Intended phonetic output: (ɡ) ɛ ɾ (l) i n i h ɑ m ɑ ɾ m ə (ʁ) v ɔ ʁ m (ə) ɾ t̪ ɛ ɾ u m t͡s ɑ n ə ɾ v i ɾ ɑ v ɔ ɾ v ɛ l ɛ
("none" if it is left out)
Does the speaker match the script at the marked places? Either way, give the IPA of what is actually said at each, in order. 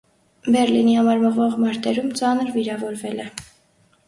b, l, ʁ, ɑ

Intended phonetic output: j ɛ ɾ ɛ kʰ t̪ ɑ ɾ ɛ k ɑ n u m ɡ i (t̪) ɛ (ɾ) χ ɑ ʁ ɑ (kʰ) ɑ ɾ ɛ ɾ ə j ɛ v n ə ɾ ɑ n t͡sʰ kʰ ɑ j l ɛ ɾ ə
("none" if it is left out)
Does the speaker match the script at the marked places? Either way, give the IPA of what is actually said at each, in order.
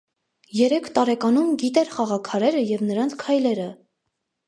t̪, ɾ, kʰ

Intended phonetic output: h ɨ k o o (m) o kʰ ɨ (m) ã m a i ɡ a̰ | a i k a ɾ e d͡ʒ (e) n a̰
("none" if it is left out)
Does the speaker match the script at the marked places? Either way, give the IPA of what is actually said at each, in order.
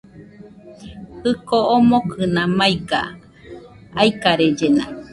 m, n, e

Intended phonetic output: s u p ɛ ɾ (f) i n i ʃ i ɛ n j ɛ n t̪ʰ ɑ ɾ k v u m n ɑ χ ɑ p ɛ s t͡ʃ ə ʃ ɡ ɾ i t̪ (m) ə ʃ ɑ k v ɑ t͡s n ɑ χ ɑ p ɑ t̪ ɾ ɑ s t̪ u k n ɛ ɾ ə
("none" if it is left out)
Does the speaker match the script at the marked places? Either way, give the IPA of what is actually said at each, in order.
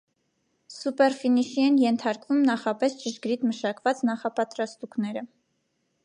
f, m

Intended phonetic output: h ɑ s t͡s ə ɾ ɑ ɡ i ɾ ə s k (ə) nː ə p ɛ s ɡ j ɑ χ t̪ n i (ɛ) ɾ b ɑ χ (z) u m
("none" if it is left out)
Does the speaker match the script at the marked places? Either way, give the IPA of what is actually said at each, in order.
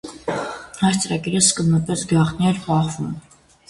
ə, ɛ, v

